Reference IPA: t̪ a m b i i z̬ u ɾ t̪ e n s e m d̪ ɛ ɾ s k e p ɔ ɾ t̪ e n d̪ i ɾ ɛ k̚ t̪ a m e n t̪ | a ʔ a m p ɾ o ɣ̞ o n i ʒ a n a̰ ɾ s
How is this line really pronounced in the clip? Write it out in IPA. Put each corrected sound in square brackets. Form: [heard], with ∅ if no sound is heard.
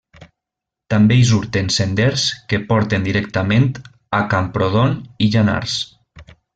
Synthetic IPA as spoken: t̪ a m b [e] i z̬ u ɾ t̪ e n s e [n] d̪ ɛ ɾ s k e p ɔ ɾ t̪ e n d̪ i ɾ ɛ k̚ t̪ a m e n t̪ | a [k] a m p ɾ o [ð̞] o n i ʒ a n a̰ ɾ s